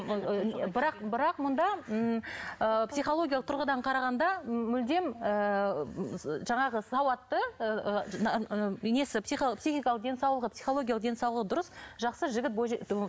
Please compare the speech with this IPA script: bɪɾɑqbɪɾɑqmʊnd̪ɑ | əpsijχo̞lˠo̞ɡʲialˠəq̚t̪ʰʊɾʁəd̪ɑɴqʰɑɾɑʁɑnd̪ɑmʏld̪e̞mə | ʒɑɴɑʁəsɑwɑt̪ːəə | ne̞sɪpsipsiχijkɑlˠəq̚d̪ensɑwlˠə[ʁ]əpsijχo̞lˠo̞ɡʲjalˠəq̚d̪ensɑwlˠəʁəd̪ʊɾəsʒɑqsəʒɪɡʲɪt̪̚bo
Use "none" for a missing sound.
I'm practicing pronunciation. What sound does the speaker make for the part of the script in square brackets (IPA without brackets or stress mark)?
ʁ